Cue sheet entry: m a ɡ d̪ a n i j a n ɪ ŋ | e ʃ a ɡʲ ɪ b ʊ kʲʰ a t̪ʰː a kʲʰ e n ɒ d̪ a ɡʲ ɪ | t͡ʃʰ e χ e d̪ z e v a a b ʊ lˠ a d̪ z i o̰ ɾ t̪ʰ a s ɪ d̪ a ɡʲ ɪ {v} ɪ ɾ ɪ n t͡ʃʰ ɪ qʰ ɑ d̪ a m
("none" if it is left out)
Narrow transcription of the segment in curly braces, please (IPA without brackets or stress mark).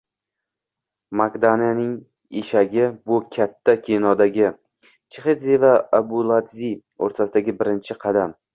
b